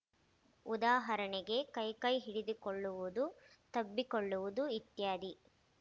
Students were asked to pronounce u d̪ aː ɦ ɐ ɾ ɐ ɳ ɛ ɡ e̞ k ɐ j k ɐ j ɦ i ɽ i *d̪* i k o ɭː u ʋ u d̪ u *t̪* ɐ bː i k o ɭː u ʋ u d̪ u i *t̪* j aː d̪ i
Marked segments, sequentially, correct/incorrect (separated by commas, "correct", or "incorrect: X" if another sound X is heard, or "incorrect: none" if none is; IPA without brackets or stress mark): correct, correct, correct